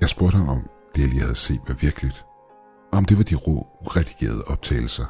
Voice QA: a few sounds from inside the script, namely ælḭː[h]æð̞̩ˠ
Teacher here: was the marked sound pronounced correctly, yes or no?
yes